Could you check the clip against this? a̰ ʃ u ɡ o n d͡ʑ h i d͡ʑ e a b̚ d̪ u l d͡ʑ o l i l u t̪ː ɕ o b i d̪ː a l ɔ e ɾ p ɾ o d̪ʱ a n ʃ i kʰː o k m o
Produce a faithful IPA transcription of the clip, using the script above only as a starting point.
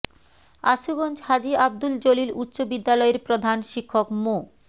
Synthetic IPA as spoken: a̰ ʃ u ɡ o n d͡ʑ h a d͡ʑ i a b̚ d̪ u l d͡ʑ o l i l u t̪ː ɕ o b i d̪ː a l ɔ e ɾ p ɾ o d̪ʱ a n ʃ i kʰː o k m o